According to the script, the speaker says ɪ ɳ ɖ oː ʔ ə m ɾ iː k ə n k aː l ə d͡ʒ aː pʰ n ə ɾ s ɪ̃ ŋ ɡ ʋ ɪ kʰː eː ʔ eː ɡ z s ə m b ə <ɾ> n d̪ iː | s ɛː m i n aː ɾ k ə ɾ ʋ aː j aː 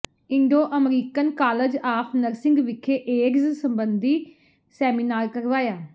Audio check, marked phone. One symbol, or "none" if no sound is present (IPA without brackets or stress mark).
none